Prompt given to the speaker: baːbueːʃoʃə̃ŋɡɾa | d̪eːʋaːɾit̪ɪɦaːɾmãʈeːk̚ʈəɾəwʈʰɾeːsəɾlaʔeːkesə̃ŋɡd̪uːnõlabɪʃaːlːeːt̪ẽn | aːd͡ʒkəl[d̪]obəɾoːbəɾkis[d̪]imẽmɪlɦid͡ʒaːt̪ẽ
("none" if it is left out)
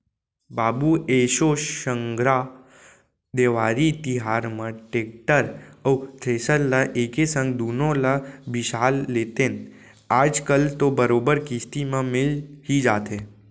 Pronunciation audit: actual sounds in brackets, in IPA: t̪, t̪

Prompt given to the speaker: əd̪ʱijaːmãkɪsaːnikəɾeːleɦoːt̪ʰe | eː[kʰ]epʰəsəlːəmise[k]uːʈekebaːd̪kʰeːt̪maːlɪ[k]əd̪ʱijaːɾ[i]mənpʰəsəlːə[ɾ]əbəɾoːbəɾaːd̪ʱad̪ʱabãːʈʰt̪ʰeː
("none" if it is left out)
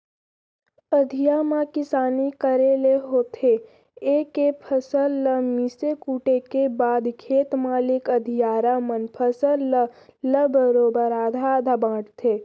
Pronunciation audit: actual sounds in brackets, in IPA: k, k, k, a, l

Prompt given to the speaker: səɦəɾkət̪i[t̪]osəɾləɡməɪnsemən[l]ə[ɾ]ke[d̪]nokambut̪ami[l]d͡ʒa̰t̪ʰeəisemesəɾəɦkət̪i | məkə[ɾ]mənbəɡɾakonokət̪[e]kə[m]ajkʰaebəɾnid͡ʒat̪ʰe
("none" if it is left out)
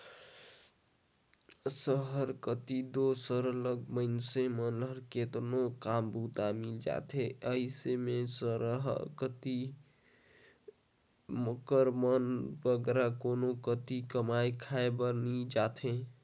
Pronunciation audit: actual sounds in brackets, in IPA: d̪, l, ɾ, t̪, l, ɾ, i, m

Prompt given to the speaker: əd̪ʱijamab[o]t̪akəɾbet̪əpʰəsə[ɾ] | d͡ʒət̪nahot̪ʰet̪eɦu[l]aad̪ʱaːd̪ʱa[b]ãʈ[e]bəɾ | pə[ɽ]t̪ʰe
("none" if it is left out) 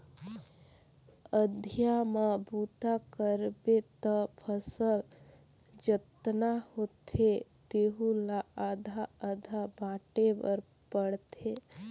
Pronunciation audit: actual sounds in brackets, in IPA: u, l, l, b, e, ɽ

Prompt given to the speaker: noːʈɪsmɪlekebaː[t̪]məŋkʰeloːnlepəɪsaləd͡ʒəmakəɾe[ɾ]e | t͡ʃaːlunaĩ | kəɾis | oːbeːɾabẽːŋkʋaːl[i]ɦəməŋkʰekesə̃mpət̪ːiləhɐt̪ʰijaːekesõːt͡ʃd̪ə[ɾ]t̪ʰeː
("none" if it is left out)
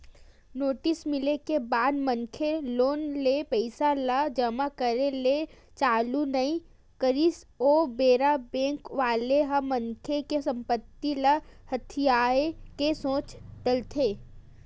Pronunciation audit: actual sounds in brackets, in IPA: d̪, l, e, l

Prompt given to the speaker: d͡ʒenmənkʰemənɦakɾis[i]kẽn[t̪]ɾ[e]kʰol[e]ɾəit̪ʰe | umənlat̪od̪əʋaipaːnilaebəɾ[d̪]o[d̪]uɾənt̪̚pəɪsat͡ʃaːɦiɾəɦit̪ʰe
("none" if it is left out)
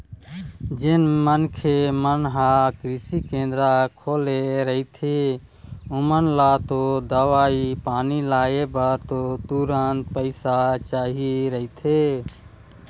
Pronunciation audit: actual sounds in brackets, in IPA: i, d̪, a, e, t̪, t̪

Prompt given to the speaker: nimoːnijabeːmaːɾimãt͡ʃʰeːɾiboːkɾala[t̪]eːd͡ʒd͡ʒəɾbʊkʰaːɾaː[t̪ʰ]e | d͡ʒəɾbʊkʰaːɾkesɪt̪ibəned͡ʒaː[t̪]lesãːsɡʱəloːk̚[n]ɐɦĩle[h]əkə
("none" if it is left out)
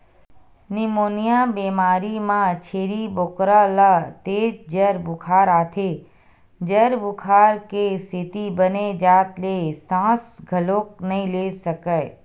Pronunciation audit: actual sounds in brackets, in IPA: t̪, t̪ʰ, t̪, n, s

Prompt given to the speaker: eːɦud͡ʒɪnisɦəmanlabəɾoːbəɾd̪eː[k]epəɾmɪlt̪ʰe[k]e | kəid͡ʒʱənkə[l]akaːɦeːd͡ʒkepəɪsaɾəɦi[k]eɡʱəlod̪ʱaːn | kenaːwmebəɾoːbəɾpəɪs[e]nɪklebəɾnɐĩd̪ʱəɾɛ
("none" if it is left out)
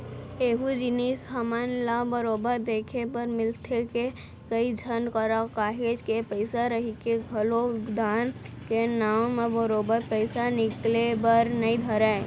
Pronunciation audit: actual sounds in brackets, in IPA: kʰ, k, ɾ, k, a

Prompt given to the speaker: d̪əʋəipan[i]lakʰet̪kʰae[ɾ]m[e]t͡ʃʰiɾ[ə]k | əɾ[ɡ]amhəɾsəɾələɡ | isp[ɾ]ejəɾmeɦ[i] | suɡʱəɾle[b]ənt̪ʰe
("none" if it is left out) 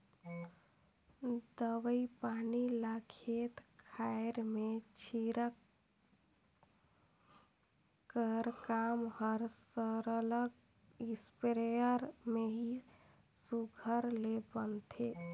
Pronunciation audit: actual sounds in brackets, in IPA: i, ɾ, e, ə, k, ɾ, i, b

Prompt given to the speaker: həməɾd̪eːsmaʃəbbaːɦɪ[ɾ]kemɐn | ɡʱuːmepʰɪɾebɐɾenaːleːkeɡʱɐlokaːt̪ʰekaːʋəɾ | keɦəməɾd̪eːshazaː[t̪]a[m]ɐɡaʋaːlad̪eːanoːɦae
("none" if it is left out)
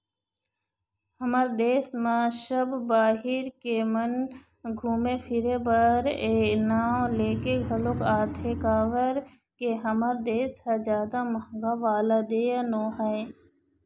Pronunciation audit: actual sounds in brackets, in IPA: ɾ, d̪, m

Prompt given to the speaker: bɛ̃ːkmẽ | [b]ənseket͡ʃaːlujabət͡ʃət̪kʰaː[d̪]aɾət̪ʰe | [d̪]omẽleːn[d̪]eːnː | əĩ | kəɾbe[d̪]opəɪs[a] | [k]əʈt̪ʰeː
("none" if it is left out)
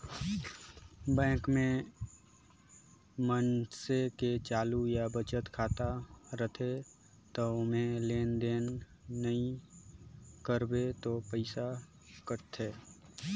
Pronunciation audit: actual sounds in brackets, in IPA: m, t̪, t̪, d̪, t̪, a, k

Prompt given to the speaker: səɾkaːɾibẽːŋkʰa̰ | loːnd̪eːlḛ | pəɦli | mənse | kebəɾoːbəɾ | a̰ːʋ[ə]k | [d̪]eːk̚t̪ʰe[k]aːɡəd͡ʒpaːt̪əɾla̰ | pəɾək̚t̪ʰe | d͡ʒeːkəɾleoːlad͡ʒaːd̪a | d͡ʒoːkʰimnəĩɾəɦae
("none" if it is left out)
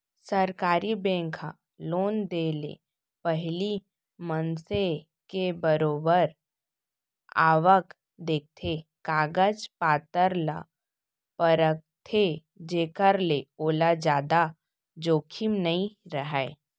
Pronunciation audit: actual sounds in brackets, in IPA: ə, d̪, k

